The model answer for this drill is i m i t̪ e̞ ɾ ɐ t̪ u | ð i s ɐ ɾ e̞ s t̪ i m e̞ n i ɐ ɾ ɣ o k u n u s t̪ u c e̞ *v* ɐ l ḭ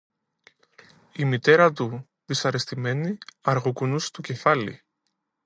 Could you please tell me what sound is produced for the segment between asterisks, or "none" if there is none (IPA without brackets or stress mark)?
f